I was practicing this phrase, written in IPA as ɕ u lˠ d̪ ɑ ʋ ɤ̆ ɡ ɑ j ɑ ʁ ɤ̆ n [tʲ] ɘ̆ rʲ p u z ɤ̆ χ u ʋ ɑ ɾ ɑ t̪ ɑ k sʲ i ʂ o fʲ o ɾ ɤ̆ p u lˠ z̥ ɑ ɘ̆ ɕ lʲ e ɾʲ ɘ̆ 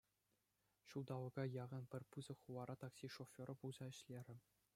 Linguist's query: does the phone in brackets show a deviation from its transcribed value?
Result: yes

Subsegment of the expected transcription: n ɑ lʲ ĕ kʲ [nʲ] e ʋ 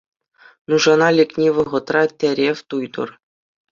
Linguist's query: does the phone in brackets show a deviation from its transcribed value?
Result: no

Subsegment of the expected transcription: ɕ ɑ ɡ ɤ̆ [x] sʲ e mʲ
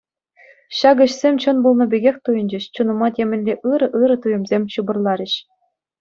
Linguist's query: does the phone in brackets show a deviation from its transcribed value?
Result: yes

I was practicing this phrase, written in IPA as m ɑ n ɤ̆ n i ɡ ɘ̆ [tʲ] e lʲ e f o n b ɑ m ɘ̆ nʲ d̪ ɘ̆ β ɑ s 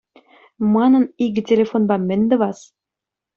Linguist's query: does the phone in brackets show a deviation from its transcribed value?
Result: no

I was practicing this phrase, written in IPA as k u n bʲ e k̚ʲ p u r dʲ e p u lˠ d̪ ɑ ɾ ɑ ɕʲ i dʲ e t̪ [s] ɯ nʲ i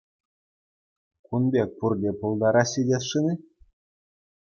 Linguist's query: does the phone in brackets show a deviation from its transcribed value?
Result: yes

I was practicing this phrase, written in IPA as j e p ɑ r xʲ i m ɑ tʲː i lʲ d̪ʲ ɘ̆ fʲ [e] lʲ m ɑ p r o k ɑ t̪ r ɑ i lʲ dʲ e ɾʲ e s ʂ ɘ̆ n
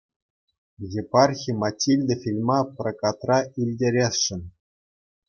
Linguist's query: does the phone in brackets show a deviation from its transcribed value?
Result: yes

